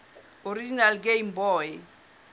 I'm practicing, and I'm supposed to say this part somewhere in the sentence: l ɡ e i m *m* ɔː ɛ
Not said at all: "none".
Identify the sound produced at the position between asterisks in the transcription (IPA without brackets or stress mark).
b